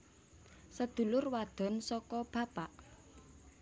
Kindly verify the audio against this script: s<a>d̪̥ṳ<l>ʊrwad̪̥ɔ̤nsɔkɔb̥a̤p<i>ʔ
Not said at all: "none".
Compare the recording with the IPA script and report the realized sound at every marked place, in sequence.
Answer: ə, l, a

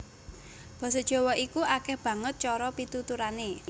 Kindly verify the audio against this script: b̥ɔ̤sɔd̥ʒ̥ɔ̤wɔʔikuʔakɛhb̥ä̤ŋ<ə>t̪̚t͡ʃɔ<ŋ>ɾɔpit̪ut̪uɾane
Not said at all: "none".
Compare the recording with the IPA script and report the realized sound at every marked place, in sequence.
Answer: ə, none

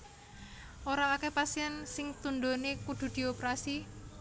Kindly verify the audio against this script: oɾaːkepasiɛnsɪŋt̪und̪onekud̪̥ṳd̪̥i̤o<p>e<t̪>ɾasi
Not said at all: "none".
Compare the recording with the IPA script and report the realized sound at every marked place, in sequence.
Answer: p, none

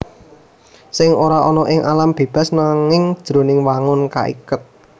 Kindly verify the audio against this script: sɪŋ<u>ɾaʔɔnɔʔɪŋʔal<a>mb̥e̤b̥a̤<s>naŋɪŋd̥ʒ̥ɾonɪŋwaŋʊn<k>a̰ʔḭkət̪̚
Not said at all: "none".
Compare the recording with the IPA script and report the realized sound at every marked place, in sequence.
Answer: o, a, s, k

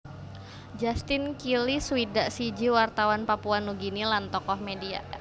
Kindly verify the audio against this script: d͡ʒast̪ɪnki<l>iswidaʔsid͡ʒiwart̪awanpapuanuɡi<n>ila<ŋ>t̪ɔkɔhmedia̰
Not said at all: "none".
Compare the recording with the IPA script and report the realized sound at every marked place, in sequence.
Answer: l, n, n

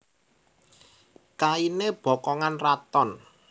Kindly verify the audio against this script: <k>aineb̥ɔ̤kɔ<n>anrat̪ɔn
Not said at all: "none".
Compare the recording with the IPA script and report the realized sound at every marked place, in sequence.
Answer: k, ŋ

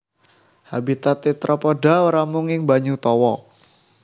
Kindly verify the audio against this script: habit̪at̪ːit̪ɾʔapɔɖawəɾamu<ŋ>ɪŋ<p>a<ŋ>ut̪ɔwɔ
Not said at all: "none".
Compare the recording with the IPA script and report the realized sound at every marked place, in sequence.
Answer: ŋ, b, ɲ

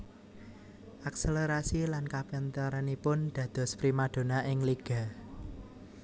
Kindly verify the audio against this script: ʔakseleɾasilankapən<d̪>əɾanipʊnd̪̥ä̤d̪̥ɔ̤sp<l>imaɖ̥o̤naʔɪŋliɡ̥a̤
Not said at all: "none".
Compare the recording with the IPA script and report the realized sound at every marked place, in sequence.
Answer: t̪, ɾ

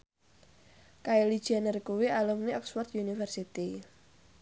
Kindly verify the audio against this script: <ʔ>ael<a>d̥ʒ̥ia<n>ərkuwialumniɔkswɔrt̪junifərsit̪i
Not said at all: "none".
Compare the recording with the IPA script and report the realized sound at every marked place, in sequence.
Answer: k, i, n

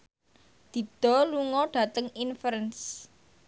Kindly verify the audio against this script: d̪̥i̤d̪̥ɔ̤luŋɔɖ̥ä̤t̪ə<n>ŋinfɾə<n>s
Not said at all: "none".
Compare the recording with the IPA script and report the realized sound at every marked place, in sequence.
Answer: none, n

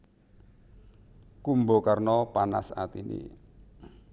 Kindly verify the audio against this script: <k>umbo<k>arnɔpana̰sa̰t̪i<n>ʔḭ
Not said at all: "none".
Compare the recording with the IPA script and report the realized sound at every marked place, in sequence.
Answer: k, k, n

